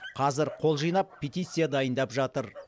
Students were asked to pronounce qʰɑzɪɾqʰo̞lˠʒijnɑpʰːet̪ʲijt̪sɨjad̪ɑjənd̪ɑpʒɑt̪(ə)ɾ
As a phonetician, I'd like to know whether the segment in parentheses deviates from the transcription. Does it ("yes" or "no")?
no